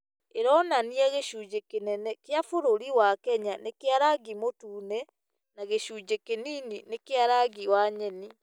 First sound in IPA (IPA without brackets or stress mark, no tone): e